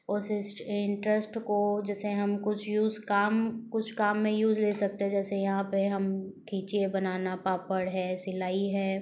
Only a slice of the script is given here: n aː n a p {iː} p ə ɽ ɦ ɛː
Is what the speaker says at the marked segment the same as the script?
no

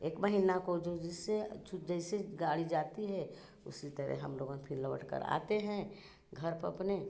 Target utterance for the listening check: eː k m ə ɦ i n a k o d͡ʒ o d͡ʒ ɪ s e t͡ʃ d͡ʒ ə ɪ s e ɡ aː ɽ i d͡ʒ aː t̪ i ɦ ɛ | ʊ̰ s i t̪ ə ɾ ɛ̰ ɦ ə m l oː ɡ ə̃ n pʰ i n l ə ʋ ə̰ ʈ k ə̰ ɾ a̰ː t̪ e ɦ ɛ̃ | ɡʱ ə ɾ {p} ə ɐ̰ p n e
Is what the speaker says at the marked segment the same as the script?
yes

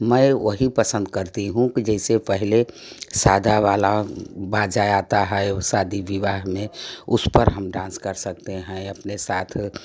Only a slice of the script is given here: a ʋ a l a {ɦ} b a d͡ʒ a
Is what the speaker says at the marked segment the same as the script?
no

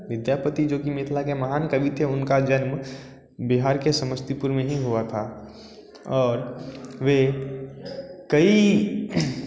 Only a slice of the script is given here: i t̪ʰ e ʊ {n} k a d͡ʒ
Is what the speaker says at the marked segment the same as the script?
yes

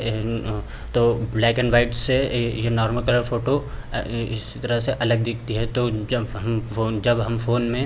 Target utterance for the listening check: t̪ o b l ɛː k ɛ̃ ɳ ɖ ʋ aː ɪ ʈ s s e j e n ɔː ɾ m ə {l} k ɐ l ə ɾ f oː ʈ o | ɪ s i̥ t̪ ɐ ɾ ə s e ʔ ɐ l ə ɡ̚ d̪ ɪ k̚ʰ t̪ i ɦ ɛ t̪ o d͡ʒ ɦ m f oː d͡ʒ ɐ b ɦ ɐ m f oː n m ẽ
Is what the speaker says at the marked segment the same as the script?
yes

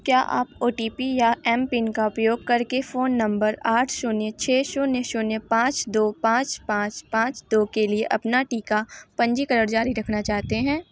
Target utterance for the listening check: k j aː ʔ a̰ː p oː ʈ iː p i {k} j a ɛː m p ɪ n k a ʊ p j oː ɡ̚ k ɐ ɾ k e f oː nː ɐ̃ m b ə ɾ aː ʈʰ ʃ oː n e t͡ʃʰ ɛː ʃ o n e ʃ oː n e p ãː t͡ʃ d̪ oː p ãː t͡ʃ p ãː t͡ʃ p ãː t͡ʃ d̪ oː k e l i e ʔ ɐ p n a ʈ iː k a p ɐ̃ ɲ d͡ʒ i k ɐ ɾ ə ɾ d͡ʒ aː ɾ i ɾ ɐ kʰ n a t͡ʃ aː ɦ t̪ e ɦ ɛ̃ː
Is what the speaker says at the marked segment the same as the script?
no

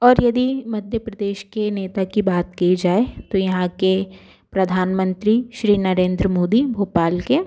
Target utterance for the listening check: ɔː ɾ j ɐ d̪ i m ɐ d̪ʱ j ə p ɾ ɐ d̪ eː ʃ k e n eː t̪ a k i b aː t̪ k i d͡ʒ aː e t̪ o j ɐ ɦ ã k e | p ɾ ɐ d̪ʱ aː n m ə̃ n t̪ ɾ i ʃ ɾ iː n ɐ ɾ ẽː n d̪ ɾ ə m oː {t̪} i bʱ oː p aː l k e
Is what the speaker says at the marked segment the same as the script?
no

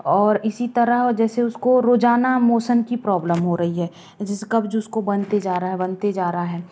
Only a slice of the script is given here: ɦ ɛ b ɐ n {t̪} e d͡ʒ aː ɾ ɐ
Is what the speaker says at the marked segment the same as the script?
yes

